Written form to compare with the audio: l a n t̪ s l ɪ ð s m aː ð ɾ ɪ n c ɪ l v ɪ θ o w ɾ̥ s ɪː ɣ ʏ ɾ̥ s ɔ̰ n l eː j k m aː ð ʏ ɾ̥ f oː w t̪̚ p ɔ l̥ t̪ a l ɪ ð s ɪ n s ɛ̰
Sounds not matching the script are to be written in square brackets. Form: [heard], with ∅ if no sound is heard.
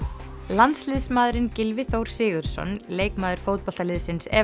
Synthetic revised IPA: l a n t̪ s l ɪ ð s m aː ð ɾ ɪ n c ɪ l v ɪ θ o w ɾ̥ s ɪː ɣ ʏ ɾ̥ s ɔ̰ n l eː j k m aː ð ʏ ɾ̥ f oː w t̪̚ p ɔ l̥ t̪ a l ɪ ð s ɪ n s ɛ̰